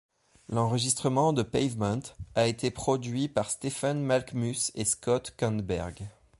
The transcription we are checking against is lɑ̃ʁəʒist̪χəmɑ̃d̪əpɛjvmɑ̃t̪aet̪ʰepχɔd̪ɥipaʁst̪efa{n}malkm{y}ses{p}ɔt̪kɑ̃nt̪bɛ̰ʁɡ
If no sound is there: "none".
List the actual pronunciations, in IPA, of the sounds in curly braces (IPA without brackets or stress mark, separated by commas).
n, y, k